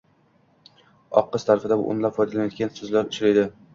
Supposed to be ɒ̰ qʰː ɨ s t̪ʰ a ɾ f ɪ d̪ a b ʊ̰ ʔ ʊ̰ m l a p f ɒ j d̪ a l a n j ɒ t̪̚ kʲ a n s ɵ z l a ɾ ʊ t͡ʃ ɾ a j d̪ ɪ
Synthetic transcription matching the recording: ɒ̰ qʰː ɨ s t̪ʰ a ɾ f ɪ d̪ a b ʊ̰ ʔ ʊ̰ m l a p f ɒ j d̪ a l a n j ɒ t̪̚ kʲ a n s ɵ z l a ɾ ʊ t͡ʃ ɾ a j d̪ ɪ